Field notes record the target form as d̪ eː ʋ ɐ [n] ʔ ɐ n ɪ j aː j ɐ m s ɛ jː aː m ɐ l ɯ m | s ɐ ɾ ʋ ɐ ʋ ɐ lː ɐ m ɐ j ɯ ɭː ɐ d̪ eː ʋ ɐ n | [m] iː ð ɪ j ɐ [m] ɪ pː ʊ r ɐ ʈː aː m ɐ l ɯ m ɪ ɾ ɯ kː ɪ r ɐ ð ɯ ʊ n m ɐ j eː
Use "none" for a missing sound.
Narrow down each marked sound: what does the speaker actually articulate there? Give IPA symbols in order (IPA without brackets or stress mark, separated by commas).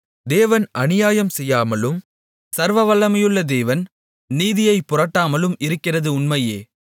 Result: n, n, none